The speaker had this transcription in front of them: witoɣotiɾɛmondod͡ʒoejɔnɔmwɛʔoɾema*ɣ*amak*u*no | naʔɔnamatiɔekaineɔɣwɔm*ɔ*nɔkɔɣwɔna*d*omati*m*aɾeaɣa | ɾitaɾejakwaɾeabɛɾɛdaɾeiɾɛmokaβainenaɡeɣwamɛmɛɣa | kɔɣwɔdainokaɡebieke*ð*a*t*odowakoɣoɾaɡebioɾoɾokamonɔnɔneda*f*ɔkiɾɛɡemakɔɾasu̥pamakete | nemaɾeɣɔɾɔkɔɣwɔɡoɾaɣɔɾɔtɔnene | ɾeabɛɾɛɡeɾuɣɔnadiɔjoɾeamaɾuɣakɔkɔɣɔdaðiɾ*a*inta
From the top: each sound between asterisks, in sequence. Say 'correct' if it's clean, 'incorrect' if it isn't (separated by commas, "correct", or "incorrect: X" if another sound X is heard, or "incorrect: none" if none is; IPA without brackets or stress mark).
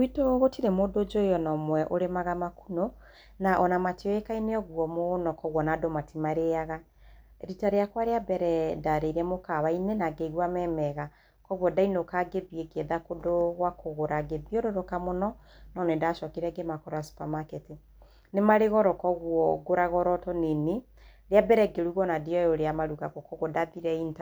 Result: correct, correct, incorrect: o, correct, correct, correct, incorrect: k, incorrect: ʃ, incorrect: ɛ